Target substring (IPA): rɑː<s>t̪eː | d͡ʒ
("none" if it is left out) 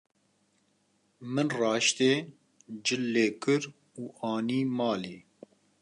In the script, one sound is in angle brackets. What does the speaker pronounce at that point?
ʃ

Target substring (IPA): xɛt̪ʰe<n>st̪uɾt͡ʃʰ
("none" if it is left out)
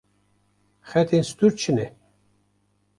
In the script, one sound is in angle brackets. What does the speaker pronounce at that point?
n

